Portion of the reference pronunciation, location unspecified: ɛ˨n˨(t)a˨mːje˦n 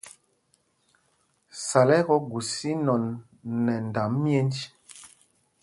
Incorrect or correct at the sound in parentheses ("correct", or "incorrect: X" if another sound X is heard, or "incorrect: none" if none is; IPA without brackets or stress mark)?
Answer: incorrect: d